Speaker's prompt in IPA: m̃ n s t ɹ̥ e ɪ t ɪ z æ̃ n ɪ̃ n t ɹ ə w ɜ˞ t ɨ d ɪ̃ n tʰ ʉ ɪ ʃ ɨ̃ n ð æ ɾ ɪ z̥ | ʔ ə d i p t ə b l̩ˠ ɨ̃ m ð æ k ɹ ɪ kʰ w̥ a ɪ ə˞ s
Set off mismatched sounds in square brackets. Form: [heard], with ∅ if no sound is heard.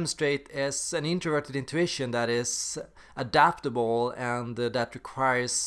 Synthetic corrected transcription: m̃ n s t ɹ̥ e ɪ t ɪ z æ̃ n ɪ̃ n t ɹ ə [v] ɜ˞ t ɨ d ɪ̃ n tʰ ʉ ɪ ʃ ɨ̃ n ð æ ɾ ɪ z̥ | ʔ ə d [æ] p t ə b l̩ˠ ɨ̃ [n] ð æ [t] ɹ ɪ kʰ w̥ a ɪ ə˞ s